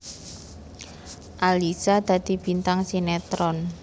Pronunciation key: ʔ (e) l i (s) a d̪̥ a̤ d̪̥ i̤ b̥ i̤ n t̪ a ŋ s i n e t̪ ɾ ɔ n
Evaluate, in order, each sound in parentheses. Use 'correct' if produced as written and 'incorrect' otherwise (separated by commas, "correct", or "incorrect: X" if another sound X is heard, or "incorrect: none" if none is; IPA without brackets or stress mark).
incorrect: a, correct